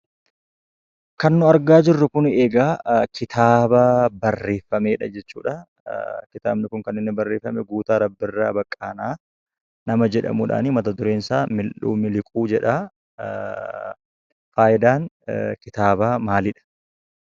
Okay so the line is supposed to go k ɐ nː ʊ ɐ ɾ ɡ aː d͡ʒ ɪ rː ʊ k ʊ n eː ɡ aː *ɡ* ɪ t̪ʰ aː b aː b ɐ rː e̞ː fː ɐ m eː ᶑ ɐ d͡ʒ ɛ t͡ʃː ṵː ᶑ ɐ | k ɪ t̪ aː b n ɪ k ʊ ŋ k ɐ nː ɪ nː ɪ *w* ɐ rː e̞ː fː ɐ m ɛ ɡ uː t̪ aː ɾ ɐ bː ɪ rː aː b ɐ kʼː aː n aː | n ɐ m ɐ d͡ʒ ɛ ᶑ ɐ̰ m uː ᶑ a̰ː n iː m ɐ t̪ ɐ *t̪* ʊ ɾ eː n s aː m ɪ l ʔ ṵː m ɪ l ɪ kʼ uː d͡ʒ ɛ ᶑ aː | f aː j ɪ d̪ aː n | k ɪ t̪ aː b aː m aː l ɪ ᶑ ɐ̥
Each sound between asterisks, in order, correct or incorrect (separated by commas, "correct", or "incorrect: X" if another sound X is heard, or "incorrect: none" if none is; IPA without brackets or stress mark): incorrect: k, incorrect: b, incorrect: d̪